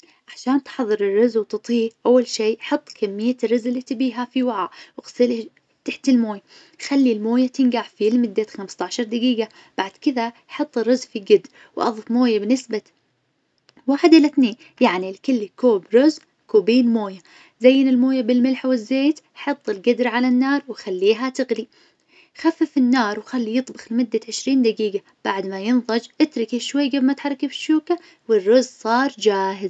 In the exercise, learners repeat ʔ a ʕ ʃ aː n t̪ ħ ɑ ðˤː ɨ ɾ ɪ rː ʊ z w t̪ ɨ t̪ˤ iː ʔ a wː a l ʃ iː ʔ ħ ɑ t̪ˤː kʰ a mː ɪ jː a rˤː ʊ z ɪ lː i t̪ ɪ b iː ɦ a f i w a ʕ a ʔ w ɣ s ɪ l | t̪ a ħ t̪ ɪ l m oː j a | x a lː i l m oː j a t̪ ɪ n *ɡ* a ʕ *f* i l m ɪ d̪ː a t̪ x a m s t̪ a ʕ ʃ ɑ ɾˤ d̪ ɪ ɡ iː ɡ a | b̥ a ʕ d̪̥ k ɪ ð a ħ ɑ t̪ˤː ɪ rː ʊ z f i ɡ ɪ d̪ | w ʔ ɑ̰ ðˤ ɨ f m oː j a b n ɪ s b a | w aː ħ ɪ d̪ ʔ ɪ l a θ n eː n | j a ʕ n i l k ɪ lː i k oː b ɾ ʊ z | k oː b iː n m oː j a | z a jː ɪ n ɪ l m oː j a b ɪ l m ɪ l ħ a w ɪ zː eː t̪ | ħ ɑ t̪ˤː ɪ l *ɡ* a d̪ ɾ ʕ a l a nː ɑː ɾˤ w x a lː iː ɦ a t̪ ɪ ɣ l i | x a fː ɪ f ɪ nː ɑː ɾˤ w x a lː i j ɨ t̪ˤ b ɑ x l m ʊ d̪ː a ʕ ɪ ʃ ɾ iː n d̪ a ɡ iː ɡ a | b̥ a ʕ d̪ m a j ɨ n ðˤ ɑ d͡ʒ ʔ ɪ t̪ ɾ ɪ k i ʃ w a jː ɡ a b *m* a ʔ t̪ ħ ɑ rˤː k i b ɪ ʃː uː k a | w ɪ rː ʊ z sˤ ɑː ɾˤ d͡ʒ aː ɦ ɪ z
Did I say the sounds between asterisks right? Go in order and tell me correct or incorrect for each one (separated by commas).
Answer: correct, correct, correct, correct